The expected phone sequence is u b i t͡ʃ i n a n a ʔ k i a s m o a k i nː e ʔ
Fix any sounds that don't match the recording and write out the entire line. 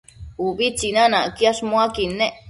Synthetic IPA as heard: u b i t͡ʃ i n a n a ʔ k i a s m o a k i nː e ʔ